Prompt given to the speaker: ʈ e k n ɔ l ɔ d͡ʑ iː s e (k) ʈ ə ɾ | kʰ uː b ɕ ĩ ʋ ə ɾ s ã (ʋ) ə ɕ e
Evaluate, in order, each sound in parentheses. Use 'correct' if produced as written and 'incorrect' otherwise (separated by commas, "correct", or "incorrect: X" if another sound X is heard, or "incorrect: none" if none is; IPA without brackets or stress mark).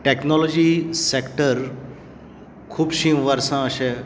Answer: correct, incorrect: none